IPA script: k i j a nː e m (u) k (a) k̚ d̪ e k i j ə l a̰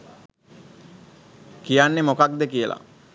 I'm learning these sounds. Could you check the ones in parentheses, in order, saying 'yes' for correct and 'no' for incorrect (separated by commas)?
no, yes